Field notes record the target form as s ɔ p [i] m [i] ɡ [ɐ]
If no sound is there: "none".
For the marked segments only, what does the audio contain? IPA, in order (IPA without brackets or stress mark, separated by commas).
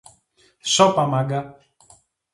a, a, a